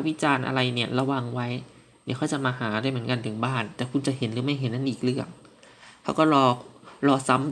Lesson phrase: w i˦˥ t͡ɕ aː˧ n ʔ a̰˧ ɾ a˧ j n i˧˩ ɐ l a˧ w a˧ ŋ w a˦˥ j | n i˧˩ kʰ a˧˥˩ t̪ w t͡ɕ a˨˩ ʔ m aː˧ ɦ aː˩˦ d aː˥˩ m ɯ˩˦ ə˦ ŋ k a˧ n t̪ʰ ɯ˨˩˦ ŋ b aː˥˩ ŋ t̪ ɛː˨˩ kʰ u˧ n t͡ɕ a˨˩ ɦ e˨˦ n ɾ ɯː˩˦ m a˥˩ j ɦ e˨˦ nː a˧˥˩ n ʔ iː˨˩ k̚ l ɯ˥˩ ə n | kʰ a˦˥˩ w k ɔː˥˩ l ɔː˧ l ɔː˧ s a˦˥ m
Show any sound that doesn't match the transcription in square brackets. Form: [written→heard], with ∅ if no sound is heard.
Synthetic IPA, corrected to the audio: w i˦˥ t͡ɕ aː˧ n ʔ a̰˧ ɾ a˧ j n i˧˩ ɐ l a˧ w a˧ ŋ w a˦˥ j | n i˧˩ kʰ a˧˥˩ [t̪→∅] w t͡ɕ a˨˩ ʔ m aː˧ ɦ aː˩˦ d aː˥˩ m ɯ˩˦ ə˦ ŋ k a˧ n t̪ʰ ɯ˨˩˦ ŋ b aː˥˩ [ŋ→n] t̪ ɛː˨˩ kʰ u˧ n t͡ɕ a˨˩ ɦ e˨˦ n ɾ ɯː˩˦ m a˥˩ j ɦ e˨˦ nː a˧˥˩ n ʔ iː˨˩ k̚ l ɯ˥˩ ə [n→ŋ] | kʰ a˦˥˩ w k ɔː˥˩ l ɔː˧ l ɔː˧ s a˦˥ m